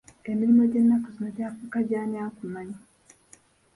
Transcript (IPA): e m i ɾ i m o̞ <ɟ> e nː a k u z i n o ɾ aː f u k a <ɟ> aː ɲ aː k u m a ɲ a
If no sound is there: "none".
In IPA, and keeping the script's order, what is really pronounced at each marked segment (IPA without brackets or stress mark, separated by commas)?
ɟ, ɟ